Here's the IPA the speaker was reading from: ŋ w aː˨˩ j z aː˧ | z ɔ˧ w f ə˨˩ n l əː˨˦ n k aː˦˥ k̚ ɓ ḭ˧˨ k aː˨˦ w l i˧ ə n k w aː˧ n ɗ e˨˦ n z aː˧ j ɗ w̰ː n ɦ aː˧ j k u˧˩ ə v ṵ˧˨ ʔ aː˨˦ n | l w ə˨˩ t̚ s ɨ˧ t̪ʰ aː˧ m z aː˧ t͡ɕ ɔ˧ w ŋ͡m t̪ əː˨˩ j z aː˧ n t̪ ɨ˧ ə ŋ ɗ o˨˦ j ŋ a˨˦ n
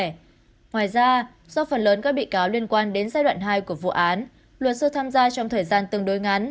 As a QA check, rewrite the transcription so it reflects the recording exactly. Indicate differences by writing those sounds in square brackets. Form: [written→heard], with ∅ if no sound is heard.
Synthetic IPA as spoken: ŋ w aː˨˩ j z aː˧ | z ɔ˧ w f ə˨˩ n l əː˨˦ n k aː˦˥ k̚ ɓ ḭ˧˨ k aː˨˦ w l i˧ ə n k w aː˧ n ɗ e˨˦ n z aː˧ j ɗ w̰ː n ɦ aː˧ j k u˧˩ ə v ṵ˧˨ ʔ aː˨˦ n | l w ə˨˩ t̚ s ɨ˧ t̪ʰ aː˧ m z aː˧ t͡ɕ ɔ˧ w ŋ͡m [t̪→t̪ʰ] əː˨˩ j z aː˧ n t̪ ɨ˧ ə ŋ ɗ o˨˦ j ŋ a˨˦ n

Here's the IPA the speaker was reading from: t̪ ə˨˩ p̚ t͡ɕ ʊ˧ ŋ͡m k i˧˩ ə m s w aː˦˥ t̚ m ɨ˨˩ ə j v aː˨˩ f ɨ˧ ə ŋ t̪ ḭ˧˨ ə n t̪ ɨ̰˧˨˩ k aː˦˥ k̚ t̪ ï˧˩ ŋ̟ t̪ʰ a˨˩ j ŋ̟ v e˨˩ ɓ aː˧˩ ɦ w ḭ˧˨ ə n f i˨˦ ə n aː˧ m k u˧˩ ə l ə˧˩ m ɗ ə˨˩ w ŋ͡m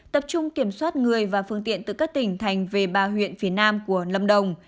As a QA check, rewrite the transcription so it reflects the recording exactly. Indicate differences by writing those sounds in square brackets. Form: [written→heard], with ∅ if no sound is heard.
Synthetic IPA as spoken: t̪ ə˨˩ p̚ t͡ɕ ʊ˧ ŋ͡m k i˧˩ ə m s w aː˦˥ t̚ [m→ŋ] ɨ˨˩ ə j v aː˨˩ f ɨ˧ ə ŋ t̪ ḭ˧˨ ə n t̪ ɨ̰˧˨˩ k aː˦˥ k̚ t̪ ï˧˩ ŋ̟ t̪ʰ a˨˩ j ŋ̟ v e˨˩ ɓ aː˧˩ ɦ w ḭ˧˨ ə n f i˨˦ ə n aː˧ m k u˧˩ ə l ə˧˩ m ɗ ə˨˩ w ŋ͡m

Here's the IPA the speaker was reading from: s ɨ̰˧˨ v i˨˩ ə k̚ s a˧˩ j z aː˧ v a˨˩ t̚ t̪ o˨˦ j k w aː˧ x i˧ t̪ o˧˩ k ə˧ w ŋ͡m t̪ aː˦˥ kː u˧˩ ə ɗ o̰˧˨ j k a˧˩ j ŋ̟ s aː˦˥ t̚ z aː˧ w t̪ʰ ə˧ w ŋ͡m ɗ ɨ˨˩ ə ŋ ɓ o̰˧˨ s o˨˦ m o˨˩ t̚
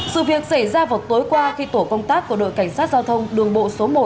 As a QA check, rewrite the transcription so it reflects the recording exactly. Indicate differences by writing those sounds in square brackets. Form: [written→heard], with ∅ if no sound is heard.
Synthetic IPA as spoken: s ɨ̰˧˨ v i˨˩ ə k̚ s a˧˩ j z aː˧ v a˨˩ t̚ t̪ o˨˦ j k w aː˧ x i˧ t̪ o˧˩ k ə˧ w ŋ͡m t̪ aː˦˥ kː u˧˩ ə ɗ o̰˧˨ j k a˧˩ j ŋ̟ s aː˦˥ t̚ z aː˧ w t̪ʰ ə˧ w ŋ͡m ɗ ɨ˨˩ ə ŋ ɓ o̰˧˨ s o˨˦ m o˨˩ t̚

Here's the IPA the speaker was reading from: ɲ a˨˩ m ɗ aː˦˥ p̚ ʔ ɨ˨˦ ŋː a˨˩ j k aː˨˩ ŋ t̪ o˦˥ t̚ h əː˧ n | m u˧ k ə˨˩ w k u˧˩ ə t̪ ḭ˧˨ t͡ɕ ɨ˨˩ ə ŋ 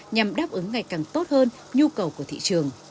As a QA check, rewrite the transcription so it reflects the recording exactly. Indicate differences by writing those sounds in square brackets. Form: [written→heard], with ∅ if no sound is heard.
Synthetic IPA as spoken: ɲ a˨˩ m ɗ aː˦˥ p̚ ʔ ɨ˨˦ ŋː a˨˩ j k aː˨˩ ŋ t̪ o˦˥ t̚ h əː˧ n | [m→ɲ] u˧ k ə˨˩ w k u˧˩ ə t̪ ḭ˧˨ t͡ɕ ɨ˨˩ ə ŋ

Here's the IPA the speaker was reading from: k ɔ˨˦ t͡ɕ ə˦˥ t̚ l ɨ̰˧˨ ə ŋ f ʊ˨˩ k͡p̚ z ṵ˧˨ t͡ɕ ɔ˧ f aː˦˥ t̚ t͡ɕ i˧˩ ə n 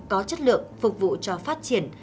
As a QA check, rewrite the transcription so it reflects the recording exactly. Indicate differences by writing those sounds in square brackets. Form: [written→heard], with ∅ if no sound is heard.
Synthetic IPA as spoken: k ɔ˨˦ t͡ɕ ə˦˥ t̚ l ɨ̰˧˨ ə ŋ f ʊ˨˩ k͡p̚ [z→v] ṵ˧˨ t͡ɕ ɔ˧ f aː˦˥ t̚ t͡ɕ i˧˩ ə n

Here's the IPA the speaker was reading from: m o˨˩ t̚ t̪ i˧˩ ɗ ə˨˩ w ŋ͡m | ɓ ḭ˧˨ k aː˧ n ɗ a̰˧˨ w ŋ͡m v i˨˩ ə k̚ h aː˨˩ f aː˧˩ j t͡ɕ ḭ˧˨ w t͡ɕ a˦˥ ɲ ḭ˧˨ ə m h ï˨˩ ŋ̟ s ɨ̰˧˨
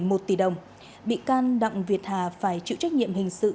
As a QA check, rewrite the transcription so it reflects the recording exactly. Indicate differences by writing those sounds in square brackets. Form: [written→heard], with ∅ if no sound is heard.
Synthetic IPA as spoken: m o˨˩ t̚ t̪ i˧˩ ɗ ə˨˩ w ŋ͡m | ɓ ḭ˧˨ k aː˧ n ɗ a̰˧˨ w ŋ͡m v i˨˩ ə [k̚→t̚] h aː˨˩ f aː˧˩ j t͡ɕ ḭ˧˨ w t͡ɕ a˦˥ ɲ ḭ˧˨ ə m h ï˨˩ ŋ̟ s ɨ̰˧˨

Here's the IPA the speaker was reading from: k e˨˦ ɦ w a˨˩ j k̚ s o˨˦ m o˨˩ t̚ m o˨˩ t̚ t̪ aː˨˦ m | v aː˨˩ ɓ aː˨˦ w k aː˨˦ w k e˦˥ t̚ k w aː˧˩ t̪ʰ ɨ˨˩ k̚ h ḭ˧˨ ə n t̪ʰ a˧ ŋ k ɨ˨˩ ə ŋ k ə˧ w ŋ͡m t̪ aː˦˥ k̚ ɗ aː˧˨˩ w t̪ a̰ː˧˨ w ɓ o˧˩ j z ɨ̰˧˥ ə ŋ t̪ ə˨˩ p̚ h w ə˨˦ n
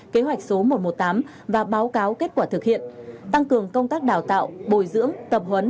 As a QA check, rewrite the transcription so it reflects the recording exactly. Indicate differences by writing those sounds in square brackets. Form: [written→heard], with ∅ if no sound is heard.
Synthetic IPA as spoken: k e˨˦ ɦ w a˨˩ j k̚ s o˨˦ m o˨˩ t̚ m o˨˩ t̚ t̪ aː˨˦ m | v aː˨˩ ɓ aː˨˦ w k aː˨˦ w k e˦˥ t̚ k w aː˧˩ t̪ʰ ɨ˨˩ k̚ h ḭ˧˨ ə n [t̪ʰ→t̪] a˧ ŋ k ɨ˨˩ ə ŋ k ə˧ w ŋ͡m t̪ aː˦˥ k̚ ɗ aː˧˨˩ w t̪ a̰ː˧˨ w ɓ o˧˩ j z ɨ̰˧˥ ə ŋ t̪ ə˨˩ p̚ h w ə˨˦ n

